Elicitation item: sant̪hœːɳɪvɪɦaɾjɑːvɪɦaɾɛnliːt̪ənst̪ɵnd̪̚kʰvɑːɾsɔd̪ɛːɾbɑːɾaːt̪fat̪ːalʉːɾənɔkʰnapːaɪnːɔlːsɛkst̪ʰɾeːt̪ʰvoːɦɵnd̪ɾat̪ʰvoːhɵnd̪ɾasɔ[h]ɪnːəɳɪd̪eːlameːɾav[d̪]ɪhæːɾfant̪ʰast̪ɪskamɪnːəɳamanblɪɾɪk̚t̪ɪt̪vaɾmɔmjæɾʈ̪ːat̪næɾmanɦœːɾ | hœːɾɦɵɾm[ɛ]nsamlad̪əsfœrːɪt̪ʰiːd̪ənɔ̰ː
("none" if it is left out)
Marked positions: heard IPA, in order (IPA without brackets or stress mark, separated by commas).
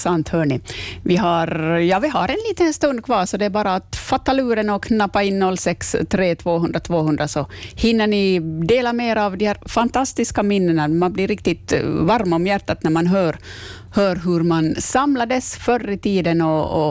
h, d̪, a